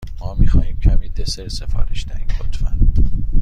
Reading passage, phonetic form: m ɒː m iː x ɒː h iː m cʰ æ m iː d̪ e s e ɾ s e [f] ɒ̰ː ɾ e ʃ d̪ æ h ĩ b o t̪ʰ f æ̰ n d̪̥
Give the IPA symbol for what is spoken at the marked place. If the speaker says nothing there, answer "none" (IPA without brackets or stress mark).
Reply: f